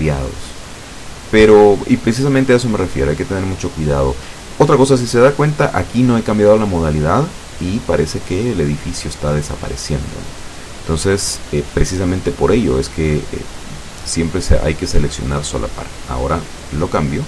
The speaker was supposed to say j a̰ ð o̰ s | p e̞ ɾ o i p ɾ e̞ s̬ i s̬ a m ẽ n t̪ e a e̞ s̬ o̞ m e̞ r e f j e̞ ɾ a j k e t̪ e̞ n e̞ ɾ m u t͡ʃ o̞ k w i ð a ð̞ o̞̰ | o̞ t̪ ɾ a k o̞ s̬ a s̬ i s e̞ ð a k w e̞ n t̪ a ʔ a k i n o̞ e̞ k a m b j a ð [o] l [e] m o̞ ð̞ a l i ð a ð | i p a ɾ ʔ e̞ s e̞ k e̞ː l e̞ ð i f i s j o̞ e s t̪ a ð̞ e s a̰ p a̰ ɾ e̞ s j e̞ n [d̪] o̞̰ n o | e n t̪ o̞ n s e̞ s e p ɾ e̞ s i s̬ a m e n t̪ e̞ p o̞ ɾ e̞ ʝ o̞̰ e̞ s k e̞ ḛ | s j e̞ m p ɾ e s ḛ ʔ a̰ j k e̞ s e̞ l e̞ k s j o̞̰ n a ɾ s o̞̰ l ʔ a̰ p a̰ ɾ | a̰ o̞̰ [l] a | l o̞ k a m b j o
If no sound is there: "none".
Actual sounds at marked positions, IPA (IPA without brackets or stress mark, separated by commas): o, a, d̪, ɾ